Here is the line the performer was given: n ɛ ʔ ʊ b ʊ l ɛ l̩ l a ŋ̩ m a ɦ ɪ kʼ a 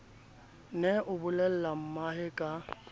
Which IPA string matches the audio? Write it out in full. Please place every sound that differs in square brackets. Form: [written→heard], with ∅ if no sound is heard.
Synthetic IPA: n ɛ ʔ ʊ b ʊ l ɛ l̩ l a [ŋ̩→m̩] m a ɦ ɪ kʼ a